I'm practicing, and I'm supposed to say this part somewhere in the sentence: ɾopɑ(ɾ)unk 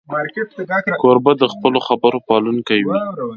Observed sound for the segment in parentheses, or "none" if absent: l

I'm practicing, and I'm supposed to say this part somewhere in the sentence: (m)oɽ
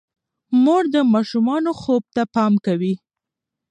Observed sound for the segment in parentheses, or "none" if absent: m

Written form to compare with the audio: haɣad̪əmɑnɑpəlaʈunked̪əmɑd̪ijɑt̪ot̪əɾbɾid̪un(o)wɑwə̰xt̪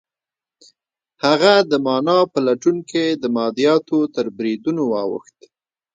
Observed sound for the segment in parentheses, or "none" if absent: o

